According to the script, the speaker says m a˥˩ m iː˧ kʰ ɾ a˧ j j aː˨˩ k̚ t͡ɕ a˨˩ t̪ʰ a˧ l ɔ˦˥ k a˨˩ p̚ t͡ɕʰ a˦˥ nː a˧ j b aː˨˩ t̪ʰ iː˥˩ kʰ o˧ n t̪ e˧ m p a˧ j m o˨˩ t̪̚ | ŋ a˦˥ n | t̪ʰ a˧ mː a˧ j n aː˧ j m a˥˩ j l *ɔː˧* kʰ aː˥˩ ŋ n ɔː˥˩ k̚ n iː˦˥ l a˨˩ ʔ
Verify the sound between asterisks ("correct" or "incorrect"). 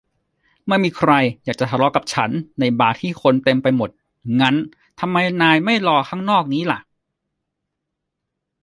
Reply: correct